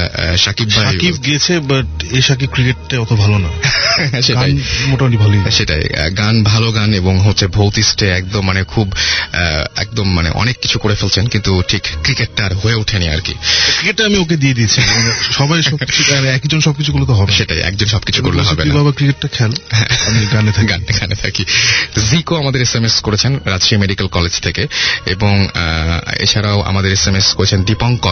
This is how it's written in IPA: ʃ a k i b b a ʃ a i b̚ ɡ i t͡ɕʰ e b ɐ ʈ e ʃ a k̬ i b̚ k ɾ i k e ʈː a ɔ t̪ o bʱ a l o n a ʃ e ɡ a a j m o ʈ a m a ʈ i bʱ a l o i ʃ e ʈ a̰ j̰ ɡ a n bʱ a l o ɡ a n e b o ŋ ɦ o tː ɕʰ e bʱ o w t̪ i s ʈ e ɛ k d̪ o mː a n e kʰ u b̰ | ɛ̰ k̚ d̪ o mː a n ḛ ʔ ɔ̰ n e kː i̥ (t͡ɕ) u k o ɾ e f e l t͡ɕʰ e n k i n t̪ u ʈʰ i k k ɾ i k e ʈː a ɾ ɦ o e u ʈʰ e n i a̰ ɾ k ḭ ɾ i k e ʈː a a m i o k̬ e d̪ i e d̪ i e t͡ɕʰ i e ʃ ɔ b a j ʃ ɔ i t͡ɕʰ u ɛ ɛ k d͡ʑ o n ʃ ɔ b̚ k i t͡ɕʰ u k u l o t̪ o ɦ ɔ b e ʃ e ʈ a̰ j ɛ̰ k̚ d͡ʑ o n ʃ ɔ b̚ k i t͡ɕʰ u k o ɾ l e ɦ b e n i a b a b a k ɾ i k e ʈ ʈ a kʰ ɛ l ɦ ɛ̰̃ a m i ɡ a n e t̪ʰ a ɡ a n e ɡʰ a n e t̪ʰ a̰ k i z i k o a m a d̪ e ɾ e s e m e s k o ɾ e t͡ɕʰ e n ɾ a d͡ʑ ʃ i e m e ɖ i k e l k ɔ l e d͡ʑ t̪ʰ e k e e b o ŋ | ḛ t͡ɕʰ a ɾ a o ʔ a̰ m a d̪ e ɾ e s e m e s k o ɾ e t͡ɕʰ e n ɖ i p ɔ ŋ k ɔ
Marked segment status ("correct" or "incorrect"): incorrect